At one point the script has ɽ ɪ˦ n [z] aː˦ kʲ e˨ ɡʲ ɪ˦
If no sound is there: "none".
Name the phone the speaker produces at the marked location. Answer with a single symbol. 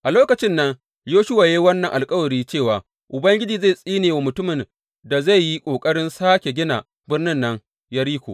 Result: s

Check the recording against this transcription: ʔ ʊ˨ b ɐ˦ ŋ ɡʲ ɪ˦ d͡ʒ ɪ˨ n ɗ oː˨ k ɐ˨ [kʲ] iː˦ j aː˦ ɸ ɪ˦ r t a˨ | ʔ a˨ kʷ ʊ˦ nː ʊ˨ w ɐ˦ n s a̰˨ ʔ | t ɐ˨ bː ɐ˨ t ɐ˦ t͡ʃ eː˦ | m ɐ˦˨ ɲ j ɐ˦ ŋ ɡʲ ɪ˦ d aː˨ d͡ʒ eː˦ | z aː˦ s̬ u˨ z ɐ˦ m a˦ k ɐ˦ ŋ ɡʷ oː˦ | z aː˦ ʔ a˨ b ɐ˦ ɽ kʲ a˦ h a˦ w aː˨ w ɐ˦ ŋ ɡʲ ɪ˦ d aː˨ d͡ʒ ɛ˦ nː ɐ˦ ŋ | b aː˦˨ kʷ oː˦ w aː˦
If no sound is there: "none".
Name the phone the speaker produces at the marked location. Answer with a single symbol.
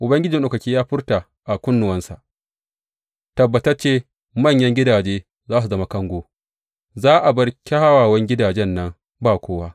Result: kʲ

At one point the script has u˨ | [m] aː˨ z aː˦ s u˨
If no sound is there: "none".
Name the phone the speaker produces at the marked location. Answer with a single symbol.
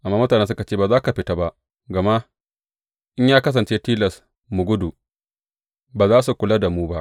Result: b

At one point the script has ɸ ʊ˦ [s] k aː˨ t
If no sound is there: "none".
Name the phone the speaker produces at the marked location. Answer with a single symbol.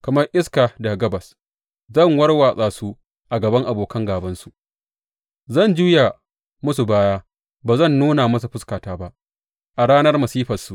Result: s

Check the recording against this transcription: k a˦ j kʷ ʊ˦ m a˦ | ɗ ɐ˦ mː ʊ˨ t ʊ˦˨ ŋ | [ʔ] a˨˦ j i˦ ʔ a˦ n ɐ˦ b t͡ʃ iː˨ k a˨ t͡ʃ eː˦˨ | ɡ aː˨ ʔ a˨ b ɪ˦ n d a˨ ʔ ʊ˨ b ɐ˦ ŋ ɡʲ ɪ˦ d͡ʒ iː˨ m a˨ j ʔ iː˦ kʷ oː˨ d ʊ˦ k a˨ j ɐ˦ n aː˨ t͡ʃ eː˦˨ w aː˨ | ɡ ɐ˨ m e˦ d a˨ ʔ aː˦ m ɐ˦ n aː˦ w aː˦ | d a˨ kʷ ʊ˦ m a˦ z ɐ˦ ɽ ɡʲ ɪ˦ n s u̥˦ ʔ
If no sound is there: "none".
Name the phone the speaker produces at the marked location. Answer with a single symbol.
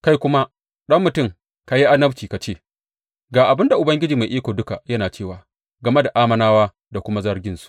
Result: k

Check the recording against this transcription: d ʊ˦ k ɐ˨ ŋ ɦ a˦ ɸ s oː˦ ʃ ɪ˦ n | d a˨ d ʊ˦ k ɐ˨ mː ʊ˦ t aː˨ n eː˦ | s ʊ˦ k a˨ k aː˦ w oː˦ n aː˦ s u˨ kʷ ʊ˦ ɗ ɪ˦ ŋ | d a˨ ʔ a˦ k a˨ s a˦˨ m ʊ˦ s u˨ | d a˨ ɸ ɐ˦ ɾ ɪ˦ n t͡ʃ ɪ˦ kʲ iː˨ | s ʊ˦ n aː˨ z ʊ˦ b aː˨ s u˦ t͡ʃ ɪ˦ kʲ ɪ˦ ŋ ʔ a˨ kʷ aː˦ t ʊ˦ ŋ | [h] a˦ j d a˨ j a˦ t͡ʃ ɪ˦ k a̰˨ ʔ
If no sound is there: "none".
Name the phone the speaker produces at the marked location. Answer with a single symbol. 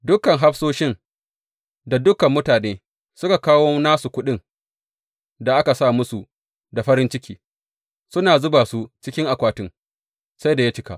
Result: s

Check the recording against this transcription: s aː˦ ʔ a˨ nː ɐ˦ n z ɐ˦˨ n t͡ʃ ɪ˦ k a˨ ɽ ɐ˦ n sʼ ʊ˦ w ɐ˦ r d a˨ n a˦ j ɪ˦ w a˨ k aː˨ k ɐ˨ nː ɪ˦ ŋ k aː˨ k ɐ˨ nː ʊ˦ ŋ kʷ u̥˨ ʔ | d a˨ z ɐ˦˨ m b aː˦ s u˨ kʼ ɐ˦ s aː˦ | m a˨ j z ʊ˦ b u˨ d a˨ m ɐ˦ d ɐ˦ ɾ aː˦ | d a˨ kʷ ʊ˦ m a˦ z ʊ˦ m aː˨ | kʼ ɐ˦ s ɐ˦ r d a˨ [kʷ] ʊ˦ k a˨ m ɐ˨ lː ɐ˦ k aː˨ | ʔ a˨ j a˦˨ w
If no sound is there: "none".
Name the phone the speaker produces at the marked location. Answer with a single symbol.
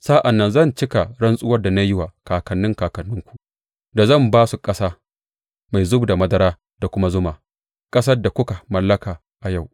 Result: kʷ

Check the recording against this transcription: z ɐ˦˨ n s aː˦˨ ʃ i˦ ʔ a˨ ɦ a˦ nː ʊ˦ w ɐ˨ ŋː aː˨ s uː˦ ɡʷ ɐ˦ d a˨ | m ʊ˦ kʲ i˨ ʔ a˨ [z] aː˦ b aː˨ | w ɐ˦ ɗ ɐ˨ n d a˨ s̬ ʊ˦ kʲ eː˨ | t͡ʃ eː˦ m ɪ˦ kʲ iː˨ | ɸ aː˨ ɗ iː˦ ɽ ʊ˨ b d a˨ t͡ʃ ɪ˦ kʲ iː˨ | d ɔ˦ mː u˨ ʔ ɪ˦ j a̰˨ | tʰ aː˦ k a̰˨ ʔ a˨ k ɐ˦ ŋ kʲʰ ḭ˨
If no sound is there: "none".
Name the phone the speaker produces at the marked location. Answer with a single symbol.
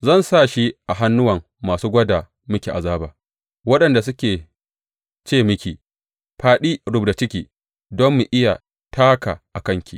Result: z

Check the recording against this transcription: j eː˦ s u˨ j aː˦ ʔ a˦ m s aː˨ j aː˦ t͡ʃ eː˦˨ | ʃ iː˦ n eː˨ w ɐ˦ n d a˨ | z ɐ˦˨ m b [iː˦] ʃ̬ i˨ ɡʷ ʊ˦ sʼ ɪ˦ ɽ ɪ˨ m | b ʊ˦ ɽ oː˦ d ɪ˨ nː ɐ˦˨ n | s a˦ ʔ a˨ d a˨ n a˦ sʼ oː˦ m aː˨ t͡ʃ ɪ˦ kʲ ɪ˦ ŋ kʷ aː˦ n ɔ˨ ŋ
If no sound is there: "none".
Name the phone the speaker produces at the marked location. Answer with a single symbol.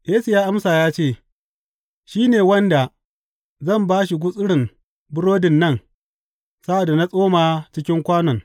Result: aː˦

